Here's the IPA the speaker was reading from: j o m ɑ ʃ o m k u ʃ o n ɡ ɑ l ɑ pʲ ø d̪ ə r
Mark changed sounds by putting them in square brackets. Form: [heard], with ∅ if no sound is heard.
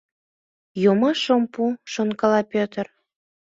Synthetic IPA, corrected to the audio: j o m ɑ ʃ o m [p] u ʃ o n [k] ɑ l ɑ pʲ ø [t̪] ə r